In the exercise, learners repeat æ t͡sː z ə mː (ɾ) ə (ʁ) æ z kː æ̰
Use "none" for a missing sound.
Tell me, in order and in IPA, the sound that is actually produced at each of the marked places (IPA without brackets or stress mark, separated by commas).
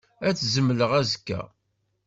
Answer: l, ʁ